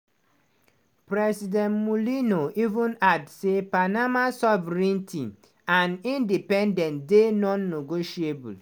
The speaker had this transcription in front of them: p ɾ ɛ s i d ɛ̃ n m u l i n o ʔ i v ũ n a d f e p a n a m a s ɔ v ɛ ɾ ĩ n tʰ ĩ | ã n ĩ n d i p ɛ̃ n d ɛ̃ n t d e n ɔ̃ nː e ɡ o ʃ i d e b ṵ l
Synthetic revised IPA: p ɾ ɛ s i d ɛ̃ n m u l i n o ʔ i v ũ n a d s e p a n a m a s ɔ v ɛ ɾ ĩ n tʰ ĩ | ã n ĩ n d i p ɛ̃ n d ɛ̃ n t d e n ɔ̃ nː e ɡ o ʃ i e b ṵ l